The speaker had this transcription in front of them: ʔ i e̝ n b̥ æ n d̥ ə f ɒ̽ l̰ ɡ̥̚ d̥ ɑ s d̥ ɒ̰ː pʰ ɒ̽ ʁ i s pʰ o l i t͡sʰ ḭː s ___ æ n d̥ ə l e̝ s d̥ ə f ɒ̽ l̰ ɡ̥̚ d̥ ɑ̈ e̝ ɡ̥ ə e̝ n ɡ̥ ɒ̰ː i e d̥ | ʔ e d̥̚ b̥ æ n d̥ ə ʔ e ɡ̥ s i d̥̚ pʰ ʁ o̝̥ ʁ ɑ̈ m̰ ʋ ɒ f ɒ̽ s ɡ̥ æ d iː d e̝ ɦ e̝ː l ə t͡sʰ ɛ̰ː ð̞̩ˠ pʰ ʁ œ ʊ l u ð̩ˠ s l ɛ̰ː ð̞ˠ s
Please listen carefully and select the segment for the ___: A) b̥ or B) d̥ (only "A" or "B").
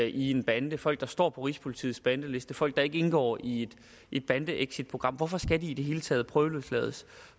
A